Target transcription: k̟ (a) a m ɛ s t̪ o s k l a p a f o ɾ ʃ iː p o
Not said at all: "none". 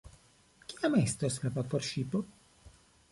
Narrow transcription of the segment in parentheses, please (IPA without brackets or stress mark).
i